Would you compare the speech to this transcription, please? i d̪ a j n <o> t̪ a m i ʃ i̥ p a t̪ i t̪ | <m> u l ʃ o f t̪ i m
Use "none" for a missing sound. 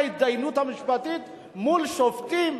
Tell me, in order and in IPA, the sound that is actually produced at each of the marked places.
u, m

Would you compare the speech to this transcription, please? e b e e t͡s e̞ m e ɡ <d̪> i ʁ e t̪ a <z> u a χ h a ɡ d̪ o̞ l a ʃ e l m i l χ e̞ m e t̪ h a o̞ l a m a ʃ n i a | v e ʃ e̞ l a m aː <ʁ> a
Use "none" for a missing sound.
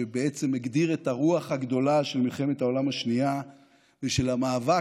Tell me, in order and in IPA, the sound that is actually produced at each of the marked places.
d̪, ʁ, v

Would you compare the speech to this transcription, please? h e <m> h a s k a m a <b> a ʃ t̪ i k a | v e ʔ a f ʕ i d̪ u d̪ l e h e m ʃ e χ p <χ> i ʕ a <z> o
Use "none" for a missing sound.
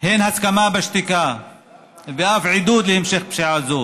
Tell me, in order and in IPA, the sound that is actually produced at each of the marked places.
n, b, ʃ, z

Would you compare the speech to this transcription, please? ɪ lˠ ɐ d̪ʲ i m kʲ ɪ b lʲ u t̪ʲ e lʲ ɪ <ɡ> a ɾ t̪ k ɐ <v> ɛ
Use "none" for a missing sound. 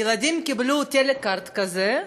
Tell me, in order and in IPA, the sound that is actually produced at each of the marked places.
k, z

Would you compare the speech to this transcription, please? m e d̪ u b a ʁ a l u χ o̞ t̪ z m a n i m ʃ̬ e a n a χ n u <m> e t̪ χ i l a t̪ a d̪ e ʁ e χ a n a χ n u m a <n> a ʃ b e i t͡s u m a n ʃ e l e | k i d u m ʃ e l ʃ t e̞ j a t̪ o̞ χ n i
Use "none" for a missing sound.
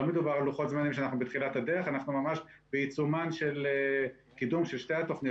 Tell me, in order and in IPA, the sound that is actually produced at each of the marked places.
b, m

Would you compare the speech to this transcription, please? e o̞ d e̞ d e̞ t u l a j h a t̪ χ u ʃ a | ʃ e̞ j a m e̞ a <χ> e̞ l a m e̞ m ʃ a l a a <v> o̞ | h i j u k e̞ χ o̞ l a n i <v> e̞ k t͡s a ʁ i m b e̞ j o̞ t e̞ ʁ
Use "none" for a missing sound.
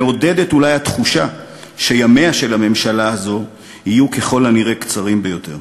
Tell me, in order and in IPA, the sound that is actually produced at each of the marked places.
ʃ, z, ʁ

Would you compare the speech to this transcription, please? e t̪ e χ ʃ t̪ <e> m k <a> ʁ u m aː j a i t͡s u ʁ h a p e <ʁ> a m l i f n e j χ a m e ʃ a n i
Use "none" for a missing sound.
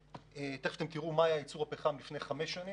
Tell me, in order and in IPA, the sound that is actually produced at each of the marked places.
e, i, χ

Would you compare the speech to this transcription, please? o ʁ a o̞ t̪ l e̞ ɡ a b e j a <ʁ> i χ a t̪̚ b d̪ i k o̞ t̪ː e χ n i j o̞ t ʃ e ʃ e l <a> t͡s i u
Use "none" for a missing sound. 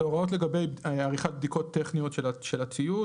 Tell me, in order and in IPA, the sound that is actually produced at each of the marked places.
ʁ, a

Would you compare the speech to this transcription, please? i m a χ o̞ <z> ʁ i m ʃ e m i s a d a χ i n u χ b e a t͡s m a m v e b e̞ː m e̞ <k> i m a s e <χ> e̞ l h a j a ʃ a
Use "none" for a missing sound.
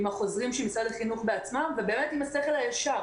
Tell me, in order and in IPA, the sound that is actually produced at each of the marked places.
z, t, χ

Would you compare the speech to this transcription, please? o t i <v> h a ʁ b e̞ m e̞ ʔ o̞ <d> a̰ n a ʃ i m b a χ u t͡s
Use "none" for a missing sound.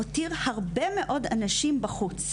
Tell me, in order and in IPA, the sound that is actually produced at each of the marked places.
ʁ, d

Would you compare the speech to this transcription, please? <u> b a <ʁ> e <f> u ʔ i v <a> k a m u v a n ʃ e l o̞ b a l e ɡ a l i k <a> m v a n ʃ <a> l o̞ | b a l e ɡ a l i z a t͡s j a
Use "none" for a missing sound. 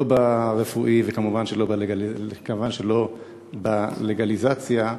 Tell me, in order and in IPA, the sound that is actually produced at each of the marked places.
o, ʁ, f, e, a, e

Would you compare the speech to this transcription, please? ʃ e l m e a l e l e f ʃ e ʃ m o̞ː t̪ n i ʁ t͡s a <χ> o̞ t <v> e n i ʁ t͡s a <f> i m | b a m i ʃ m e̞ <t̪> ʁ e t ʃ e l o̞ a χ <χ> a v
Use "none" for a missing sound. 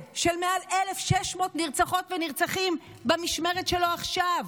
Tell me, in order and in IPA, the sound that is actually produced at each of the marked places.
χ, v, χ, none, ʃ

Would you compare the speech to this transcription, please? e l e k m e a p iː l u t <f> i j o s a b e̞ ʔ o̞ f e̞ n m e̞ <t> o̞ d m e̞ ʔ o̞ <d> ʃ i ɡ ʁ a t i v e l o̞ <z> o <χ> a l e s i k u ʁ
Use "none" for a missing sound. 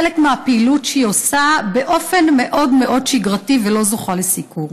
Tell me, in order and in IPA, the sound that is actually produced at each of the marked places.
ʃ, ʔ, d, z, χ

